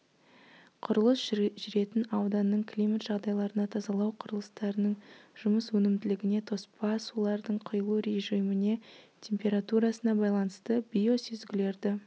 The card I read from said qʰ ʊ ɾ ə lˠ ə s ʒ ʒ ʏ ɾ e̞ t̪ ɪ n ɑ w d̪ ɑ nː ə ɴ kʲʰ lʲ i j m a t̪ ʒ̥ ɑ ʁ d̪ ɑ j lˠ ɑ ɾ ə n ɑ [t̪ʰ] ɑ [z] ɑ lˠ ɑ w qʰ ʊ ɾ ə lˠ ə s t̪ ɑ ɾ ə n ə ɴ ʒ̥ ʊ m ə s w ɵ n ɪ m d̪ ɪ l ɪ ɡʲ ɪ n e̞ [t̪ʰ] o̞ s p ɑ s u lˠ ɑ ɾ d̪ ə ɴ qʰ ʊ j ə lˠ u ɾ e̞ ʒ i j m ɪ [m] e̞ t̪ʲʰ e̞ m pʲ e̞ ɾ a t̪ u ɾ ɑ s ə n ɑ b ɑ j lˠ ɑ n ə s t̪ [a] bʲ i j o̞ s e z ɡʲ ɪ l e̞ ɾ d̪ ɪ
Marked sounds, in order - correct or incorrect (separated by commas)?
correct, correct, correct, incorrect, incorrect